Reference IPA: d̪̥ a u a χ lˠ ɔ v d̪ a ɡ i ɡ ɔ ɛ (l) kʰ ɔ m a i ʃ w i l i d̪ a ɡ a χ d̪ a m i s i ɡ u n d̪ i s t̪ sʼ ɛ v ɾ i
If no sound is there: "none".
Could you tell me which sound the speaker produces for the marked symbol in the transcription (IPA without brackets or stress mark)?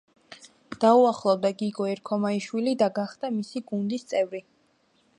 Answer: ɾ